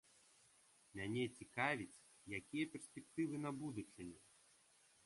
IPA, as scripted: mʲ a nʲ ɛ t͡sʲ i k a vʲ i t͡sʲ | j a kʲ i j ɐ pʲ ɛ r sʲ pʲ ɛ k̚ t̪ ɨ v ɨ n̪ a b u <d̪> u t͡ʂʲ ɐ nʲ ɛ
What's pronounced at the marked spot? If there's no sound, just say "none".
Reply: d̪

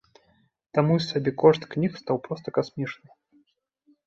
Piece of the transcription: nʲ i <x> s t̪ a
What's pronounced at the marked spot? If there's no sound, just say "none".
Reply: x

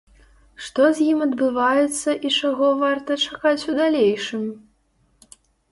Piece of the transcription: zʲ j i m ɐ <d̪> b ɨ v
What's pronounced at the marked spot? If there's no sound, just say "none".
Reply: d̪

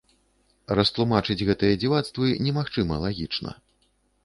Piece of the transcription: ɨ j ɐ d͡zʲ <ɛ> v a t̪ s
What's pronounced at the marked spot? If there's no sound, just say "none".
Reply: i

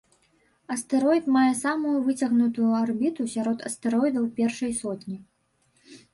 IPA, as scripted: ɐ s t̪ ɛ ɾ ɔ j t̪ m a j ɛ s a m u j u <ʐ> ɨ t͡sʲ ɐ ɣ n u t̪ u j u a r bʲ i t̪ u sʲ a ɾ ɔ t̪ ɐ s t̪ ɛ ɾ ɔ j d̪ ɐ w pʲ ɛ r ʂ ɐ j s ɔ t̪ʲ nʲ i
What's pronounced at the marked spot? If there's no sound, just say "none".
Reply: v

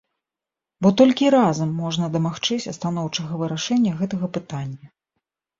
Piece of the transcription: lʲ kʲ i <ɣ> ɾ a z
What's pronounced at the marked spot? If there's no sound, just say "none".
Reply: none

